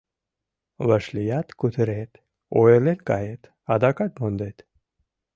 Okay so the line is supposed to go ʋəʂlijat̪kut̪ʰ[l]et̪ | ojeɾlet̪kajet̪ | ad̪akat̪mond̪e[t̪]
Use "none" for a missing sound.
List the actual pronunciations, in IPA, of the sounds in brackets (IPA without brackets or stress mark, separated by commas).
ɾ, t̪